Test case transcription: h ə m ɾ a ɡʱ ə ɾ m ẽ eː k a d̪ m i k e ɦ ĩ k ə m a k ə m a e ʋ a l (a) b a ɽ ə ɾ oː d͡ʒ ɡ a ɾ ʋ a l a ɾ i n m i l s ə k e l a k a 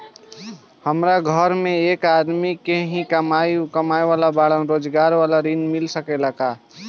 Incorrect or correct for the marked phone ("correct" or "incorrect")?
correct